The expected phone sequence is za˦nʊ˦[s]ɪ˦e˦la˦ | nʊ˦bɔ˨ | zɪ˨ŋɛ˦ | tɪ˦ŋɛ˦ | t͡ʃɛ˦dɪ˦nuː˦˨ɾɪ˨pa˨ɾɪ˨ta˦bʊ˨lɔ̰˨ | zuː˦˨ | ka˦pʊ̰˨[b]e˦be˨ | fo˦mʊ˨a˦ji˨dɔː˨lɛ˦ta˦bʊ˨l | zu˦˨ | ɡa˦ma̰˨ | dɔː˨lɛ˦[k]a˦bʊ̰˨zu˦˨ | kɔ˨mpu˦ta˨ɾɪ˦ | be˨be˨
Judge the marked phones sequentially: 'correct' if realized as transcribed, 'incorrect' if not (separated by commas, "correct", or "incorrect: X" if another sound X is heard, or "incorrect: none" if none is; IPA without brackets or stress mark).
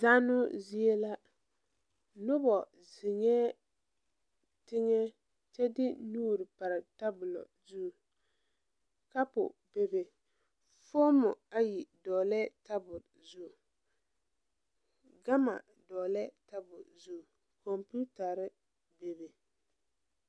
incorrect: z, correct, incorrect: t